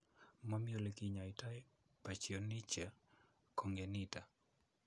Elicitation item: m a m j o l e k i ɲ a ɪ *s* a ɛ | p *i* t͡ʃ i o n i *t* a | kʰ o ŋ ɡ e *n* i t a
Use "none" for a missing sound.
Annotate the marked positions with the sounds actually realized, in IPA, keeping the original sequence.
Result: t, a, t͡ʃ, n

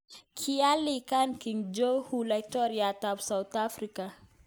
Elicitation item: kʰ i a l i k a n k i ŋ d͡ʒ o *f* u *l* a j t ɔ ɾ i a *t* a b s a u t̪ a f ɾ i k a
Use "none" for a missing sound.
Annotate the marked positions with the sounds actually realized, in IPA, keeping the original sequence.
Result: h, l, t

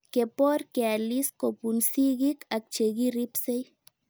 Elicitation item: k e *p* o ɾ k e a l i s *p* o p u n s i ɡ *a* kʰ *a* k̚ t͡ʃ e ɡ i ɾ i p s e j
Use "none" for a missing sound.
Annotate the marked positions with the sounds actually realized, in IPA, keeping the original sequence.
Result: p, k, i, a

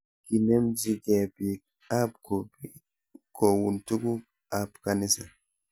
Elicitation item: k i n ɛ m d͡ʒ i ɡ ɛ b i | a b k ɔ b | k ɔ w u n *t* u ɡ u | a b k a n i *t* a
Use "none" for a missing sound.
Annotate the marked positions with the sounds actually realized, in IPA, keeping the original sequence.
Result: t, s

